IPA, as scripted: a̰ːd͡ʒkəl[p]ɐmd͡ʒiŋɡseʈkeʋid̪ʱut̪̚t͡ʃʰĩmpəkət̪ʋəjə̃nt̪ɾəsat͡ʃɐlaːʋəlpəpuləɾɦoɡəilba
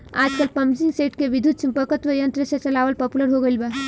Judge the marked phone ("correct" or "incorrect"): correct